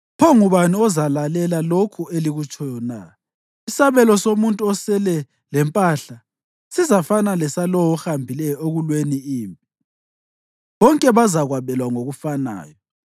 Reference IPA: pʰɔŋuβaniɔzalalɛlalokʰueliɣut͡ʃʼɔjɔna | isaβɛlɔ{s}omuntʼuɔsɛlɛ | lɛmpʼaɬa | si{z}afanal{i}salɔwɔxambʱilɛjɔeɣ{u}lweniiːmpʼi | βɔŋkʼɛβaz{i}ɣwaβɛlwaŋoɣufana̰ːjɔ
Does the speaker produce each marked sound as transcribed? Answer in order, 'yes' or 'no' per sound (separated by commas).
yes, yes, no, yes, no